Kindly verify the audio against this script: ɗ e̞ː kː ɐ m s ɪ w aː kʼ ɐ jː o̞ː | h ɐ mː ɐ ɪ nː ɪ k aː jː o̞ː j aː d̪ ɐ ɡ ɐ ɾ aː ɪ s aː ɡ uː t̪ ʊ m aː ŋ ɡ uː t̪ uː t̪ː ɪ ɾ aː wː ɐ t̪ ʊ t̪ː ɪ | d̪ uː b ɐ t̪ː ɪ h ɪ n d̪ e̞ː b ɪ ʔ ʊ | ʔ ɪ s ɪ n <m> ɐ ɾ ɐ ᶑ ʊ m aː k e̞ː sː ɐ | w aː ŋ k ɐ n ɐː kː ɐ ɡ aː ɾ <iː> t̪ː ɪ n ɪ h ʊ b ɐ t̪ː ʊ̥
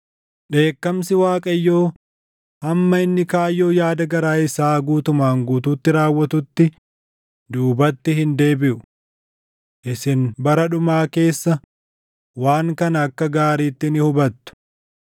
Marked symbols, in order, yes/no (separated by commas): no, yes